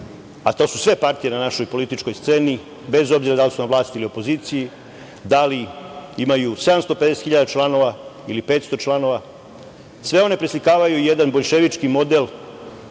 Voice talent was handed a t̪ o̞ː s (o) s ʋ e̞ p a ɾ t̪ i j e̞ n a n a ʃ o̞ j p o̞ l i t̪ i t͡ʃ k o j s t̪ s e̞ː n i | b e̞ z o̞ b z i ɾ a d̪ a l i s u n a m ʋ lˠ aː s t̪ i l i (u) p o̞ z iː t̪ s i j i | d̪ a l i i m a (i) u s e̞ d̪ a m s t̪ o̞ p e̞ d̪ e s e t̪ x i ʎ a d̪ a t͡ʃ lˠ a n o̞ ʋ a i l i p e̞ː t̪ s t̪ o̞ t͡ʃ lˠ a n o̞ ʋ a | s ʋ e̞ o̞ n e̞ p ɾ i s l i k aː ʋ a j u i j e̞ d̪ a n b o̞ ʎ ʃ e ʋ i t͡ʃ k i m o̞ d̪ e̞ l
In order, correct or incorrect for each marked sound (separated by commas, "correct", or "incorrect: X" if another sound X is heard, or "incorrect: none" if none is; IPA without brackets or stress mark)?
incorrect: u, incorrect: o, incorrect: j